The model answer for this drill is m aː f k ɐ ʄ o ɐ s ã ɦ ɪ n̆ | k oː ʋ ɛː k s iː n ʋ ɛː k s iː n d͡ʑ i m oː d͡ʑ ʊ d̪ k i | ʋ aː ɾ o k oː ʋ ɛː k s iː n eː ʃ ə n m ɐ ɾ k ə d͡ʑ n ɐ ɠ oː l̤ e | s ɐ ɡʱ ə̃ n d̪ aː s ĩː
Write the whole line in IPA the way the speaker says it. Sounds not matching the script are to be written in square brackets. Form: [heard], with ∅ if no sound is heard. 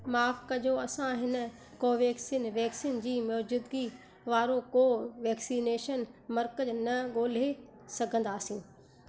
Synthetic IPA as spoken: m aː f k ɐ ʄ o ɐ s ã ɦ ɪ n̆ | k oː ʋ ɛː k s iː n ʋ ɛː k s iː n d͡ʑ [iː] m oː d͡ʑ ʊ d̪ [ɡ] i | ʋ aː ɾ o k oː ʋ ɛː k s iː n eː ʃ ə n m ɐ ɾ k ə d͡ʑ n ɐ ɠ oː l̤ e | s ɐ ɡʱ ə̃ n d̪ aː s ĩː

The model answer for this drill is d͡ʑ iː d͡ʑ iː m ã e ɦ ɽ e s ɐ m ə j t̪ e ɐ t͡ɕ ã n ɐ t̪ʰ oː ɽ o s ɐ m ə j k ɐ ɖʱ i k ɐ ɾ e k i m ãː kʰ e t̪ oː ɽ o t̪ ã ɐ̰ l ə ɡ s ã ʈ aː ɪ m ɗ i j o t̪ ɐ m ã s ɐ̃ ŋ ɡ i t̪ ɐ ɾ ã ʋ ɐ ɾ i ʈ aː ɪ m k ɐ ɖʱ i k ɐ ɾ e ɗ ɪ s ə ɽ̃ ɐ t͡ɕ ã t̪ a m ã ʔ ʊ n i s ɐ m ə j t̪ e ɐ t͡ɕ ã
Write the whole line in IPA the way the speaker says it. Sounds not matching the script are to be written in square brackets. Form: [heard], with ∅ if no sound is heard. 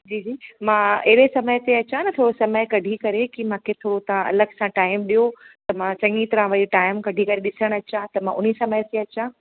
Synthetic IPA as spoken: d͡ʑ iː d͡ʑ iː m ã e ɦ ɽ e s ɐ m ə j t̪ e ɐ t͡ɕ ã n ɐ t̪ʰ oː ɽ o s ɐ m ə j k ɐ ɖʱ i k ɐ ɾ e k i m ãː kʰ e [t̪ʰ] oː ɽ o t̪ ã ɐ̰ l ə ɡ s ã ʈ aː ɪ m ɗ i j o t̪ ɐ m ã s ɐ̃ ŋ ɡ i t̪ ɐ ɾ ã ʋ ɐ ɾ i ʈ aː ɪ m k ɐ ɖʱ i k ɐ ɾ e ɗ ɪ s ə ɽ̃ ɐ t͡ɕ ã t̪ [ɐ] m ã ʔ ʊ n i s ɐ m ə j t̪ e ɐ t͡ɕ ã

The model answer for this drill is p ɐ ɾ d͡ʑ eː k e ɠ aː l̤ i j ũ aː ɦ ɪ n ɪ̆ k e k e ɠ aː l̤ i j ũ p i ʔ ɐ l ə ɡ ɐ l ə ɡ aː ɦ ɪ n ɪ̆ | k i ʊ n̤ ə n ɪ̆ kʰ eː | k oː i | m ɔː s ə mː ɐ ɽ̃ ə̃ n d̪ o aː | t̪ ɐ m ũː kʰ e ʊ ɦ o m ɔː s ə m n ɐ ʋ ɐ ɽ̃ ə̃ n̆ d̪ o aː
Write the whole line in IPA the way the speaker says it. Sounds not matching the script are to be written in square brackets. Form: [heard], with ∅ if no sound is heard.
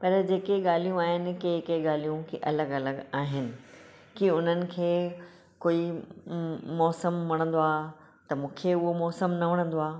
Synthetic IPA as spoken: p ɐ ɾ d͡ʑ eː k e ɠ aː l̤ i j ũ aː ɦ ɪ n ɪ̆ k e k e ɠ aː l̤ i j ũ [k] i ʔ ɐ l ə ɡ ɐ l ə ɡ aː ɦ ɪ n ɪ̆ | k i ʊ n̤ ə n ɪ̆ kʰ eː | k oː i | m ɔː s ə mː ɐ ɽ̃ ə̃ n d̪ o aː | t̪ ɐ m ũː kʰ e ʊ ɦ o m ɔː s ə m n ɐ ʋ ɐ ɽ̃ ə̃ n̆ d̪ o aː

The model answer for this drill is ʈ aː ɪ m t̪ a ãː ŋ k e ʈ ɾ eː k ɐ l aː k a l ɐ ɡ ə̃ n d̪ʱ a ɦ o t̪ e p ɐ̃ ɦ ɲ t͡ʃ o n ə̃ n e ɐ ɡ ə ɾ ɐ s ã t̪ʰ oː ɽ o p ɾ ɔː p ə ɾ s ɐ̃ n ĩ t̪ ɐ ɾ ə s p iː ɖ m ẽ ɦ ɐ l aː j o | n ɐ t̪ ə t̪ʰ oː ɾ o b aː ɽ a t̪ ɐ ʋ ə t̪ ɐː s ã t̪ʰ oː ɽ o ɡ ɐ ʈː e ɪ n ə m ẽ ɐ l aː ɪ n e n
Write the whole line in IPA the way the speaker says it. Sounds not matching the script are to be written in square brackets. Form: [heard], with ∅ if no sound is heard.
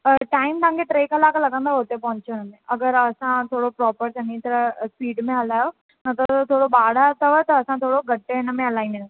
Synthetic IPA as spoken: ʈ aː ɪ m t̪ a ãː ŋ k e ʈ ɾ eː k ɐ l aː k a l ɐ ɡ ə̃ n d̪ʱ a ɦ o t̪ e p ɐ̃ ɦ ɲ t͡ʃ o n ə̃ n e ɐ ɡ ə ɾ ɐ s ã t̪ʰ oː ɽ o p ɾ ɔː p ə ɾ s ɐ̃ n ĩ t̪ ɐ ɾ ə s p iː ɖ m ẽ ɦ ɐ l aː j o | n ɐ t̪ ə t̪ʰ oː [ɽ] o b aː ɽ a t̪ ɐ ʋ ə t̪ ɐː s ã t̪ʰ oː ɽ o ɡ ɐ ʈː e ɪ n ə m ẽ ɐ l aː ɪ n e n

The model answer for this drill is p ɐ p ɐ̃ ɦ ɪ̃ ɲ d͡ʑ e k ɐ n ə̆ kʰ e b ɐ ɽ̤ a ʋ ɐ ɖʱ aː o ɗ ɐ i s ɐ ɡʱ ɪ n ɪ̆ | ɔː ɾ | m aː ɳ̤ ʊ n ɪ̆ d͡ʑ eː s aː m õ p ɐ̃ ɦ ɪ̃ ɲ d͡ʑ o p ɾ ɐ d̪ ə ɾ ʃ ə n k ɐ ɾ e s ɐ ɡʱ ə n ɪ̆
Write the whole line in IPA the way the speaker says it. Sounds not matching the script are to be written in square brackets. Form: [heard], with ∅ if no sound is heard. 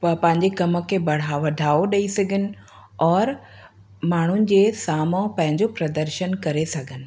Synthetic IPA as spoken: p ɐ p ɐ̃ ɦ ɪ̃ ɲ d͡ʑ e k ɐ [m] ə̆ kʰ e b ɐ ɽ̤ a ʋ ɐ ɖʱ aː o ɗ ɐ i s ɐ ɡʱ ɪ n ɪ̆ | ɔː ɾ | m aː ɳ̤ ʊ n ɪ̆ d͡ʑ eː s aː m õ p ɐ̃ ɦ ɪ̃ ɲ d͡ʑ o p ɾ ɐ d̪ ə ɾ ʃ ə n k ɐ ɾ e s ɐ ɡʱ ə n ɪ̆

